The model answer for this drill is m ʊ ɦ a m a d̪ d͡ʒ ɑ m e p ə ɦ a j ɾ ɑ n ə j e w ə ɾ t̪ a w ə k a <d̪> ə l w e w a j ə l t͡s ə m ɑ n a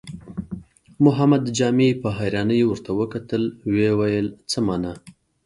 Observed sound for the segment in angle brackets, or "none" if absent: t̪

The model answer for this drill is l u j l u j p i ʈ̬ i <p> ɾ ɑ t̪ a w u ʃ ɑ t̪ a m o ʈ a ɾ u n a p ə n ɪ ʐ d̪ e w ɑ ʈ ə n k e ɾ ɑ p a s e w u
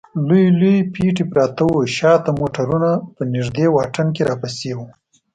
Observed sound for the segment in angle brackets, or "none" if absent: p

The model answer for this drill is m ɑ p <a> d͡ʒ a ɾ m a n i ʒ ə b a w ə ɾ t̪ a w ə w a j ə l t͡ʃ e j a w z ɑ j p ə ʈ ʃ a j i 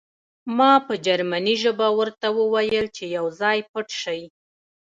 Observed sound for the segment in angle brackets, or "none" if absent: ə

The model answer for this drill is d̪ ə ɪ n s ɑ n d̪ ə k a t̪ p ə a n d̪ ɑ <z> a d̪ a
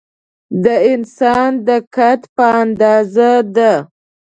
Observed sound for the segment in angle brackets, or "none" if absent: z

